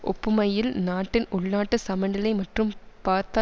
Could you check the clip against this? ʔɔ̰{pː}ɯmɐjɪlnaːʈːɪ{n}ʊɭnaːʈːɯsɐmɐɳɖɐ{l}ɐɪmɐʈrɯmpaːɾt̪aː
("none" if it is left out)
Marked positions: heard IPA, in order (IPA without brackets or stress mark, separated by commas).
pː, n, l